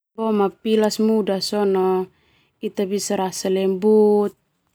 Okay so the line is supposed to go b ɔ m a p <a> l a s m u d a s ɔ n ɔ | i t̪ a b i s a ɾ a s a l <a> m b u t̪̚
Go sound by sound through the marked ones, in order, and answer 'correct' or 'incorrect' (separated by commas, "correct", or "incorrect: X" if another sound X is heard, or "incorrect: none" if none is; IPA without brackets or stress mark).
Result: incorrect: i, incorrect: ɛ